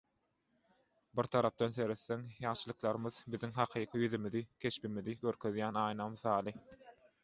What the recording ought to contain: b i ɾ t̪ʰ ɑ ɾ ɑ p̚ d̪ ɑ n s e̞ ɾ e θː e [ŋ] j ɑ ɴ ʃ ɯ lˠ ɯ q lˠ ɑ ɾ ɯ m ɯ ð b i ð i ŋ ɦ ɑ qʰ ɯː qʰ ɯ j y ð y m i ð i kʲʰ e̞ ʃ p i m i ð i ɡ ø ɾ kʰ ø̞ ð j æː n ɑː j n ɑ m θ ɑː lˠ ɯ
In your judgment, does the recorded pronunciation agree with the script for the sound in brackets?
yes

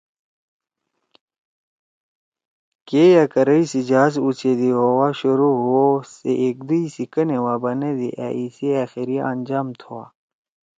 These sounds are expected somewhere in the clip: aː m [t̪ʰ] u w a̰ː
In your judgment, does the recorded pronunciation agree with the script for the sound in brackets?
yes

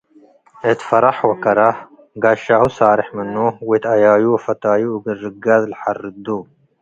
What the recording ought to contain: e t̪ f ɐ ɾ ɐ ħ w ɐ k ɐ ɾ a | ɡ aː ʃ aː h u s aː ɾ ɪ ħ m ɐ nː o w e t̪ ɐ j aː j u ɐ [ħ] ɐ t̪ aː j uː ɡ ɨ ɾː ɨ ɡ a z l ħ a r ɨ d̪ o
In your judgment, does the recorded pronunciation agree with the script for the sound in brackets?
no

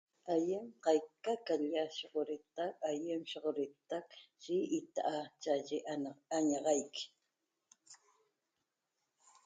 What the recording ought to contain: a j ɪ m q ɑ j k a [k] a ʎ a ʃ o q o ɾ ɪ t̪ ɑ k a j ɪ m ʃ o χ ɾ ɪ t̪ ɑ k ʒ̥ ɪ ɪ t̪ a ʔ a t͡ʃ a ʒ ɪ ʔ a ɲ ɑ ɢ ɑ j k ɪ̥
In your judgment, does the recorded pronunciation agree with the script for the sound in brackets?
yes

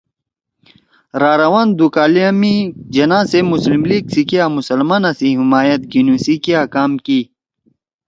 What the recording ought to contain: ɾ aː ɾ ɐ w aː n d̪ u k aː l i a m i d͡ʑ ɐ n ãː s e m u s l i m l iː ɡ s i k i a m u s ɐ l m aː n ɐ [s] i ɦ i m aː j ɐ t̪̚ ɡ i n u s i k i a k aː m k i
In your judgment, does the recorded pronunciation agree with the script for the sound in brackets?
yes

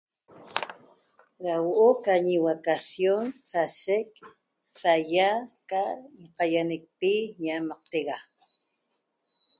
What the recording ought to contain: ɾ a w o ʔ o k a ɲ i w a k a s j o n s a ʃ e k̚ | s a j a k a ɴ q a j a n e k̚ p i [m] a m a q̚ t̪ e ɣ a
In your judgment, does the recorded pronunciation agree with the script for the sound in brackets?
no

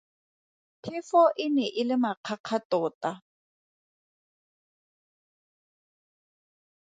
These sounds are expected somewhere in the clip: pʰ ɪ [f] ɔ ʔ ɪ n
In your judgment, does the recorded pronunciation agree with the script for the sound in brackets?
yes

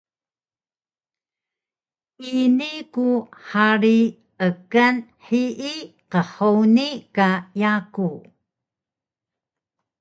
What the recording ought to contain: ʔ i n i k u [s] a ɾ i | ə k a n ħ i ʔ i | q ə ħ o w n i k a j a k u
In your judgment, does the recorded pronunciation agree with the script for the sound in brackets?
no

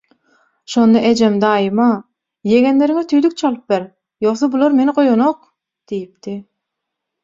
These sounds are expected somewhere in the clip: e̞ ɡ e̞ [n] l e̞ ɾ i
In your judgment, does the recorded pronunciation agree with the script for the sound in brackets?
yes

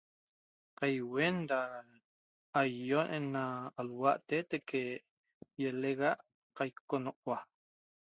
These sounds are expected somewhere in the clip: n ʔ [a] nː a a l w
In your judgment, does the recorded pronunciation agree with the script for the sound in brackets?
no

